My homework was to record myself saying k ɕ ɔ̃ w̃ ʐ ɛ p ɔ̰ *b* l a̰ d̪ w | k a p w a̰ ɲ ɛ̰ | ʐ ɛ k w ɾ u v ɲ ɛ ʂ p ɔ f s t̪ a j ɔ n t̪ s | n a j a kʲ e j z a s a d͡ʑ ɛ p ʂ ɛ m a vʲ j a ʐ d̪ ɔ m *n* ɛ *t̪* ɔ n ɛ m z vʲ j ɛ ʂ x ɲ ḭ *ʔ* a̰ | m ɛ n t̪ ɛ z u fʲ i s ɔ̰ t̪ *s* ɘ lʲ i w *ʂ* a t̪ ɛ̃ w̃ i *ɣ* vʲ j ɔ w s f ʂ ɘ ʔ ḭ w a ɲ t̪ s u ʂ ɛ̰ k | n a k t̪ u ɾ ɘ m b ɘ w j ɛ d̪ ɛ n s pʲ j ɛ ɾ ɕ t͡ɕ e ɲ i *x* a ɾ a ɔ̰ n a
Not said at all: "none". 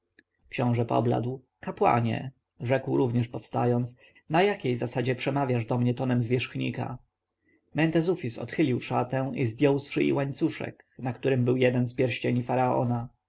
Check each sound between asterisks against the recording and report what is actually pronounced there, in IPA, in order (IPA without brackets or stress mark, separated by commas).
b, ɲ, t̪, k, x, ʂ, z, f